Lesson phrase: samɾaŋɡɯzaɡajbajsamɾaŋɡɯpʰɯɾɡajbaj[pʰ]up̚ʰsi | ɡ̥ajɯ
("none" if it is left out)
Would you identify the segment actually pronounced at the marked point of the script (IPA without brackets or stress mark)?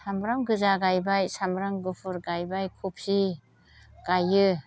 kʰ